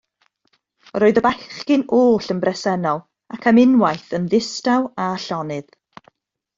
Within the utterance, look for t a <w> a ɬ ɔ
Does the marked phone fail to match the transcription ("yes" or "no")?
no